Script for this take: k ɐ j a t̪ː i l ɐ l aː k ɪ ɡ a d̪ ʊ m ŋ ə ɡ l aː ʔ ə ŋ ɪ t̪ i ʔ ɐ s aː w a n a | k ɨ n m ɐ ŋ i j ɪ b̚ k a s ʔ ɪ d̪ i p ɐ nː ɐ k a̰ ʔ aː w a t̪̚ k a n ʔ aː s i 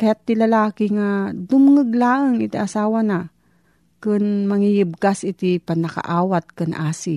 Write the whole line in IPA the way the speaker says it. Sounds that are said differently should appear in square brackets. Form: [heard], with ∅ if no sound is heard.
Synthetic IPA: k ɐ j a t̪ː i l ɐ l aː k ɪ [ŋ] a d̪ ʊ m ŋ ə ɡ l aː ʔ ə ŋ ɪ t̪ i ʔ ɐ s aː w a n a | k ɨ n m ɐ ŋ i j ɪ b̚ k a s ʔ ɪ [t̪] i p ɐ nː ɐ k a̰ ʔ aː w a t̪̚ k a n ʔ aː s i